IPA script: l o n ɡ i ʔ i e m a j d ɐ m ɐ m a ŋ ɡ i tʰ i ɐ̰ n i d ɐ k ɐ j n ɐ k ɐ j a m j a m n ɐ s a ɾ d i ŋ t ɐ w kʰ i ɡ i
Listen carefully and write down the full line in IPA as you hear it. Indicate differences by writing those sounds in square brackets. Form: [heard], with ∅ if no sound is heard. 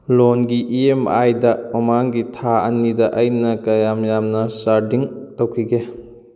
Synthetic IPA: l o n ɡ i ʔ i e m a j d ɐ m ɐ m a ŋ ɡ i tʰ [a] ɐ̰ n i d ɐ [ʔ] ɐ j n ɐ k ɐ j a m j a m n ɐ s a ɾ d i ŋ t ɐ w kʰ i ɡ [e]